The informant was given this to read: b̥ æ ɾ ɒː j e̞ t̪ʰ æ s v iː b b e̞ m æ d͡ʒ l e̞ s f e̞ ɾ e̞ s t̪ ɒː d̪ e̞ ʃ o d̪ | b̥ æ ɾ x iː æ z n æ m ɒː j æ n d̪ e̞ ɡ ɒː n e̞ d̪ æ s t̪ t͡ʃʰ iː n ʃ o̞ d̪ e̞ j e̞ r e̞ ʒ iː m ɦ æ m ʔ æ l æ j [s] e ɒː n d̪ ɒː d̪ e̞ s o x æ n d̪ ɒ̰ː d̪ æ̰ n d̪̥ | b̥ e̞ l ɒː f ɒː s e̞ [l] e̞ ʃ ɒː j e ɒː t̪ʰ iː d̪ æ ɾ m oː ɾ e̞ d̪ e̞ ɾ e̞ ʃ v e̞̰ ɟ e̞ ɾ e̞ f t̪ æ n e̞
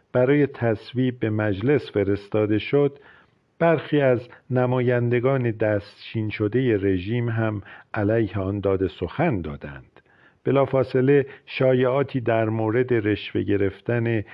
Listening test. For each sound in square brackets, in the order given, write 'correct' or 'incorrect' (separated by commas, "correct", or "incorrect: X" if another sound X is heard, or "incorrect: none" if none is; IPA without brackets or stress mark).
incorrect: h, correct